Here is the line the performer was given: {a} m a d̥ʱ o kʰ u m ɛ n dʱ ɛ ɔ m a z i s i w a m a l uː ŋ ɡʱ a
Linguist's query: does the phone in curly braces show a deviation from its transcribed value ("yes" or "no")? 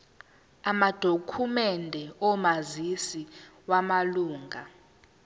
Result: no